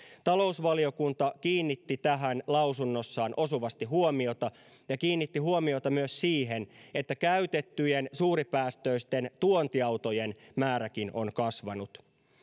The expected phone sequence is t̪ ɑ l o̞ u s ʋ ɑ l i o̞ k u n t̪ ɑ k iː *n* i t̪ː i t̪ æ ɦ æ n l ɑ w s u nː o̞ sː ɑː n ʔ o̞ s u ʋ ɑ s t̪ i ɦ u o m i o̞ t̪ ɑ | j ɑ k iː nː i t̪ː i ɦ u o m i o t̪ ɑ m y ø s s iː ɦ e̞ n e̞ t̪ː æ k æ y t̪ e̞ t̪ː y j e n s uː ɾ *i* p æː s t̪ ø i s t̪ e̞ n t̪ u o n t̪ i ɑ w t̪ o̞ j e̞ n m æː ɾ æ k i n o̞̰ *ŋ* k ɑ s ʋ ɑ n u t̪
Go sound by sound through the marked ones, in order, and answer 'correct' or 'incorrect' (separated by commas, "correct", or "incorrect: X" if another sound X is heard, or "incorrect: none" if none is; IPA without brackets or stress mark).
incorrect: nː, correct, incorrect: n